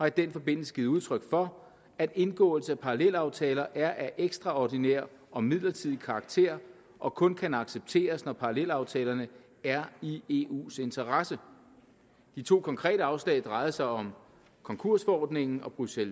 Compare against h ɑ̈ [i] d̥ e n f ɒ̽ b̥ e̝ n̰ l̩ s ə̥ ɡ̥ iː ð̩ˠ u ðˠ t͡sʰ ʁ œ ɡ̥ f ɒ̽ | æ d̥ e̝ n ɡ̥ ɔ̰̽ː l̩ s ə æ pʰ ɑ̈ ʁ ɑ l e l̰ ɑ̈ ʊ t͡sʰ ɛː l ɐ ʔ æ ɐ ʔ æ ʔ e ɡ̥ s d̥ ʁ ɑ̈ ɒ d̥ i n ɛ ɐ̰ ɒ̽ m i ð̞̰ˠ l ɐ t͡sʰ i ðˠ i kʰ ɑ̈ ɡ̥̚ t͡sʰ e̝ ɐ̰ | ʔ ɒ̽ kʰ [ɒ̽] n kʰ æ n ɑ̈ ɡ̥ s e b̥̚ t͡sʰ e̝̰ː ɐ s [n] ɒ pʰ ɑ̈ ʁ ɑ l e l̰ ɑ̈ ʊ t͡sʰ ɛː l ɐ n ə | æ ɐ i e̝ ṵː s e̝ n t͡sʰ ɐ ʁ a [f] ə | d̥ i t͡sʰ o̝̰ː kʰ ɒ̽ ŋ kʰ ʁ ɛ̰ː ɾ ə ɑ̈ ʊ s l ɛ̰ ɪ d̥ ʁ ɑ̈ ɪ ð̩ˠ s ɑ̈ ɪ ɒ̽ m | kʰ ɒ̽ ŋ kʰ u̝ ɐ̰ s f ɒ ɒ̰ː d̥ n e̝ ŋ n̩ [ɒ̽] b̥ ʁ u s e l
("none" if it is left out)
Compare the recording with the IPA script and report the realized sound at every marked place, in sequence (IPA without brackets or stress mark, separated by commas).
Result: i, ɔ̽, n, s, ɒ̽